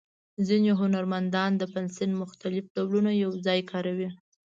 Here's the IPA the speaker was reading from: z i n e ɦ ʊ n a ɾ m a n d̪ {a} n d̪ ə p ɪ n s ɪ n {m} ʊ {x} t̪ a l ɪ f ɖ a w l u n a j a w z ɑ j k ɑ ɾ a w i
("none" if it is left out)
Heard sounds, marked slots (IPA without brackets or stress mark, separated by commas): ɑ, m, x